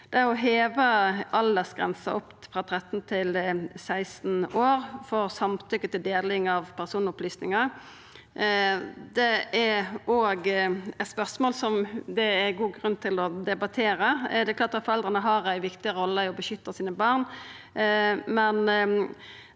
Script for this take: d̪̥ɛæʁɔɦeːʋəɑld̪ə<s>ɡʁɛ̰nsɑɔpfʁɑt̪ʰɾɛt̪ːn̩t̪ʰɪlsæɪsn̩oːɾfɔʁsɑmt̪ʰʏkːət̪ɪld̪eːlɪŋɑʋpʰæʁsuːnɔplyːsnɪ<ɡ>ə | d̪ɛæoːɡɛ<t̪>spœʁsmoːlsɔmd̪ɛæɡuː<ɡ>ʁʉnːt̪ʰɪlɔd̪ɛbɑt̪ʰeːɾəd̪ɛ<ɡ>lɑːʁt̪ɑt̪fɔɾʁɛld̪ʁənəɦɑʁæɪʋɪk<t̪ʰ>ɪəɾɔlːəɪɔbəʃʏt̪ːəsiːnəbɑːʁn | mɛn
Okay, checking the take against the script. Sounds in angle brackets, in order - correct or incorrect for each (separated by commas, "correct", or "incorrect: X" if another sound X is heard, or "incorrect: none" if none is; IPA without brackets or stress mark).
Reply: correct, incorrect: ŋ, correct, correct, incorrect: k, incorrect: t̪